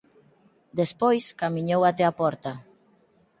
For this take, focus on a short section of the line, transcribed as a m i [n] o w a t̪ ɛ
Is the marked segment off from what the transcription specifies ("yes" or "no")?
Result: yes